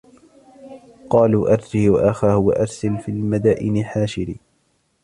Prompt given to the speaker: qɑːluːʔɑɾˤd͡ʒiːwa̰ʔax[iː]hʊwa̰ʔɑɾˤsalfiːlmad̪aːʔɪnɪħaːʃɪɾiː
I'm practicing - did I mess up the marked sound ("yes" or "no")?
yes